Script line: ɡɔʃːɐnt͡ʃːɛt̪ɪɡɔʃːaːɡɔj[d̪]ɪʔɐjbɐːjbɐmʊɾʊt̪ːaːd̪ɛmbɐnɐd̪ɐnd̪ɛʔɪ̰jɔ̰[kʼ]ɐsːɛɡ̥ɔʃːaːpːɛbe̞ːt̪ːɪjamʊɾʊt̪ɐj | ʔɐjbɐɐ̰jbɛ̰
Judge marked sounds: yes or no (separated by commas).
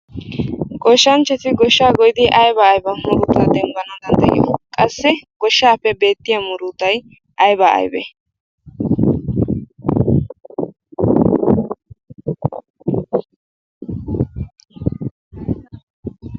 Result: yes, yes